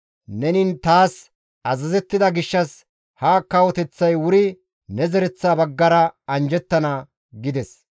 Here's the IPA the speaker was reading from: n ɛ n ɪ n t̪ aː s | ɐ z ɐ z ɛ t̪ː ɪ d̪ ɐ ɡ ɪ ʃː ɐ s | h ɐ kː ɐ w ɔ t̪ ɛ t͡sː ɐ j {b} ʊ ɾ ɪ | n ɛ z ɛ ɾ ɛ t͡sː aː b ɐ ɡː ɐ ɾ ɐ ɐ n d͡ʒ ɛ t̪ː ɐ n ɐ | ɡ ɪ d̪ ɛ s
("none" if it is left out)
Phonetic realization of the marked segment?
w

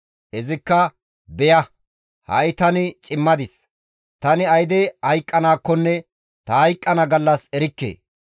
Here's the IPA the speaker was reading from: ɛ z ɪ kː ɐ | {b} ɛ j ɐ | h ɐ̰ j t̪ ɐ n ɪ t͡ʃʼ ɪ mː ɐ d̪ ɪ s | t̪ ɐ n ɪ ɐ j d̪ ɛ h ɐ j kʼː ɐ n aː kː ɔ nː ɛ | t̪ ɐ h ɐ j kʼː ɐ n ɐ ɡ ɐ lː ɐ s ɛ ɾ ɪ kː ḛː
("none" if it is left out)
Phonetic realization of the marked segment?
b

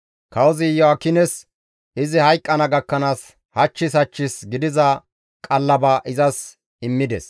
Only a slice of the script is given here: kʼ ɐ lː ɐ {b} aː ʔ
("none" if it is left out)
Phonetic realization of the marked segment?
b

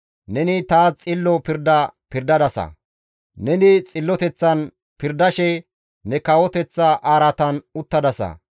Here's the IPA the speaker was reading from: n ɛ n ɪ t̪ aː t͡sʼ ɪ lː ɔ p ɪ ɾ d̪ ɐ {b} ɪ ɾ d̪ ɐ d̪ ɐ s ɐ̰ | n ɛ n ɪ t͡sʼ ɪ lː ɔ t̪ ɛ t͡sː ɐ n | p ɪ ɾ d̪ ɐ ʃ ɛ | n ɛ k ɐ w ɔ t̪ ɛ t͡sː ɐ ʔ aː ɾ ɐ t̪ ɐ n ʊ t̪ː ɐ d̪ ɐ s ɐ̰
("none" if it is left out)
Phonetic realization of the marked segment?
p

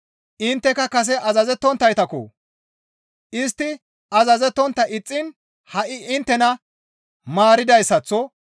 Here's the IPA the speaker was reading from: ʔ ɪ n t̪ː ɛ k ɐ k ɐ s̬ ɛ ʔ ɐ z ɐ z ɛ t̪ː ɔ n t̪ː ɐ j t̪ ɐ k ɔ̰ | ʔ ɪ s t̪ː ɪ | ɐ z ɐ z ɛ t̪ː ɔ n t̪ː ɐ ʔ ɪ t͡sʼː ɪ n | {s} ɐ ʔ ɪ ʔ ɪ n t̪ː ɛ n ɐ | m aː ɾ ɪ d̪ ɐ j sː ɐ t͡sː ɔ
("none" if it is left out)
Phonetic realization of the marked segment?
h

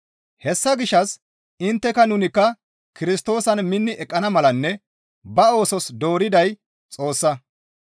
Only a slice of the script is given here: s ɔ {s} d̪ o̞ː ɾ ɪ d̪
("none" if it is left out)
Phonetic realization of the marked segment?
s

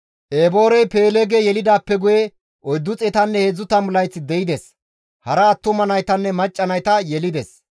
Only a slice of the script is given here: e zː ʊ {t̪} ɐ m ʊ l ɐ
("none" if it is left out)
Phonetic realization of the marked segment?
t̪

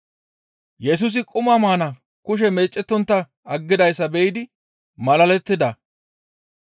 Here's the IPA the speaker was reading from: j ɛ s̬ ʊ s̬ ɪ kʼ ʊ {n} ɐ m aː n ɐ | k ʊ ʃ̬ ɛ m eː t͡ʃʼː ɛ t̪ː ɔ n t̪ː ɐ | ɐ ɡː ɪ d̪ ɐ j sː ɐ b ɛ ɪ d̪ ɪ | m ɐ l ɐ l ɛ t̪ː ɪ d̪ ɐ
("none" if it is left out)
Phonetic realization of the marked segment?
m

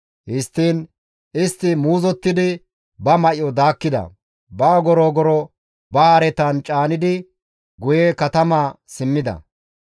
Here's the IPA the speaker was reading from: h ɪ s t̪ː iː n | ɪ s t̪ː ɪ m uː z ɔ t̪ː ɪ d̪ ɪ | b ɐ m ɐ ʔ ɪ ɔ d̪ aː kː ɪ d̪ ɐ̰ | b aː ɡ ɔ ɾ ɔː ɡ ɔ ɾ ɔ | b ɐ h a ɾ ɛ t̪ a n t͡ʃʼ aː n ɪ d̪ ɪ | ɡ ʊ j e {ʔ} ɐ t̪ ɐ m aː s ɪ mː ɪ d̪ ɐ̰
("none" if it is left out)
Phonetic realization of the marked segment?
k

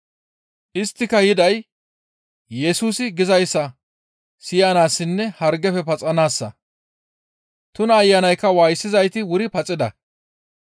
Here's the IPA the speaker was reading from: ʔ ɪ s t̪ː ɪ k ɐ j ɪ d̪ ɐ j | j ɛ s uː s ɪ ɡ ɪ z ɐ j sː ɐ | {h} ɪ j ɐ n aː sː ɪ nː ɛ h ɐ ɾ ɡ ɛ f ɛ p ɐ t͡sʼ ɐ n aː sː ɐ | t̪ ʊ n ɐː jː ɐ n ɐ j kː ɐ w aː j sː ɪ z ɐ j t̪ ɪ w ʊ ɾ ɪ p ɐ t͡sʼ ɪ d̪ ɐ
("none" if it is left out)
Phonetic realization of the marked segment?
s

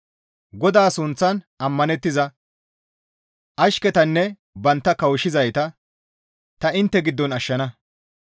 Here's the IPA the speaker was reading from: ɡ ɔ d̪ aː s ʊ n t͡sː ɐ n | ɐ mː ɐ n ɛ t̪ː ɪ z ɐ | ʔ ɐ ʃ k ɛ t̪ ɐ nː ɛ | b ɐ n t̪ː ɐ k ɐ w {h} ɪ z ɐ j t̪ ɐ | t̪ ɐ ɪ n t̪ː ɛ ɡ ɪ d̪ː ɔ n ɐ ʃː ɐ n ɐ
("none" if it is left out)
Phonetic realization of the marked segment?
ʃ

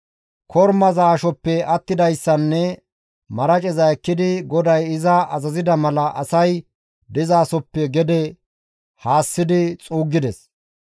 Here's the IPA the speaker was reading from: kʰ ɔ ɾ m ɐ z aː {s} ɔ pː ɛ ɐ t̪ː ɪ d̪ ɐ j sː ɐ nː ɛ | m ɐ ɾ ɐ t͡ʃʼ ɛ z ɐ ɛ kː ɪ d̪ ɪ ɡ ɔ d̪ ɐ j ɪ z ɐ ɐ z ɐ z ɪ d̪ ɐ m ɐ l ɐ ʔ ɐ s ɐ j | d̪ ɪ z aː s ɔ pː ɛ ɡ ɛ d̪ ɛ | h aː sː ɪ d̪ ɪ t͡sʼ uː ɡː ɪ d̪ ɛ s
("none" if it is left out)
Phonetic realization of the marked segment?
ʃ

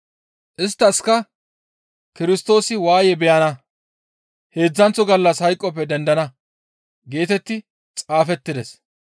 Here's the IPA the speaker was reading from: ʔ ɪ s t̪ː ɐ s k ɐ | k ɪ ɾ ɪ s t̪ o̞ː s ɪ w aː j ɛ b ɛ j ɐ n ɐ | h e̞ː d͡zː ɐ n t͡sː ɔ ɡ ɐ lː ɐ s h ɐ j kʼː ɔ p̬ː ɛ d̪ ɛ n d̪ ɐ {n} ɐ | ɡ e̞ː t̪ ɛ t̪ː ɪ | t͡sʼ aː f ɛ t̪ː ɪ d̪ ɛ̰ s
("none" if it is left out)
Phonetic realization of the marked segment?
n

